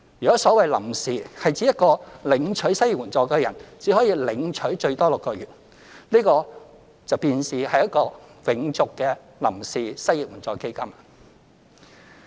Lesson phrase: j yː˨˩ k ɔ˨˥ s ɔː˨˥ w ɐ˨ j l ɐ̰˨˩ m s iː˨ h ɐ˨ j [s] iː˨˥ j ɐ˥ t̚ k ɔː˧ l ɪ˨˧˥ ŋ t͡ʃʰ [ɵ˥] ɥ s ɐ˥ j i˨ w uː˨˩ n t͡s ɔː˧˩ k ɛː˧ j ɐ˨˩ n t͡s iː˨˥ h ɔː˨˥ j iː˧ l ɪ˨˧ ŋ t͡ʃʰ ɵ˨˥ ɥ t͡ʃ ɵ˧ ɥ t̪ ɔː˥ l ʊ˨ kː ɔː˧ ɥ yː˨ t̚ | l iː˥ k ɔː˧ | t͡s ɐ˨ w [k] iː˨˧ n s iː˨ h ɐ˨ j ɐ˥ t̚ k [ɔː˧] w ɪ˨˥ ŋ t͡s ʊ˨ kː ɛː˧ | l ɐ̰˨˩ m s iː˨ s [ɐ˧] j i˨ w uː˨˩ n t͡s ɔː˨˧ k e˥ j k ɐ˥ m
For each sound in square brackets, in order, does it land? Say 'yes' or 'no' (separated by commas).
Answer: no, no, no, yes, no